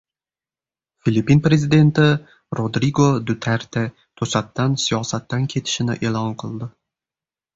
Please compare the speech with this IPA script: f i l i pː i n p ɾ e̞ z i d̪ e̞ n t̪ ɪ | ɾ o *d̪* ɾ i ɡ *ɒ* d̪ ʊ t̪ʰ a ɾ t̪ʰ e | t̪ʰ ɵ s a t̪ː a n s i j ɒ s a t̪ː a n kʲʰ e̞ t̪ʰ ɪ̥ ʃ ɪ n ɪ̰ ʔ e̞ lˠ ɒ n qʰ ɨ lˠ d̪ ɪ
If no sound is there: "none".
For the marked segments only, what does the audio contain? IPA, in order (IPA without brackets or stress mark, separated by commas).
d̪, o